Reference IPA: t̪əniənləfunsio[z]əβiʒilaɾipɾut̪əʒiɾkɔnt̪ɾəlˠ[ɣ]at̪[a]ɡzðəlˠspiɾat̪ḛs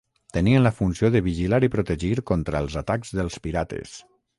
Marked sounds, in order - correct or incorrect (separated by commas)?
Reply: incorrect, incorrect, correct